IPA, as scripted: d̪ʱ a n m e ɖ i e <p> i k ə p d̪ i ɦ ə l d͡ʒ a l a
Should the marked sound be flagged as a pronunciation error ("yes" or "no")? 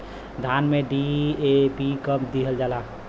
no